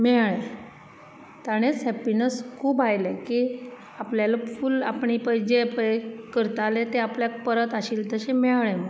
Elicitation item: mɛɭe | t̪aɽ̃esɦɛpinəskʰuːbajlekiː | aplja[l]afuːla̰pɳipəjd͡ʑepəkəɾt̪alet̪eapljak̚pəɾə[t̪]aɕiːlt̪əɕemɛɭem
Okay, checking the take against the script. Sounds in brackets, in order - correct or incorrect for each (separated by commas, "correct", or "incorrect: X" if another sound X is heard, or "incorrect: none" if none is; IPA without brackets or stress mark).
correct, correct